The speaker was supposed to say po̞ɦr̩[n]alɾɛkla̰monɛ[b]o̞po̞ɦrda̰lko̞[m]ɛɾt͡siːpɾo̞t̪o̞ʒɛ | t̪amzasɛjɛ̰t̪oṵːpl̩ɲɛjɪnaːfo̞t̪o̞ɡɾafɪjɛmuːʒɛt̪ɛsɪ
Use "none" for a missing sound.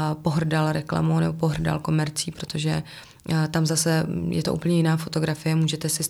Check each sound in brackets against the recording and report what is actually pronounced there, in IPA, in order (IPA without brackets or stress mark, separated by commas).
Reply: d, b, m